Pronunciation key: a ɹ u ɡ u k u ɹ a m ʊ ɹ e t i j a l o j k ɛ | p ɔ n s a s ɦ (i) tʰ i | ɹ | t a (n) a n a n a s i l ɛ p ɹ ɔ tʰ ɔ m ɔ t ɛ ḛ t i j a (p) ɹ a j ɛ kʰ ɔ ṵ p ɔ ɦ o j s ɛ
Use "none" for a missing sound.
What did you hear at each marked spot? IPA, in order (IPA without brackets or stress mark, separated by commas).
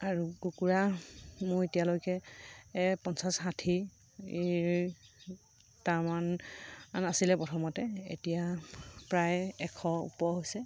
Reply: a, m, p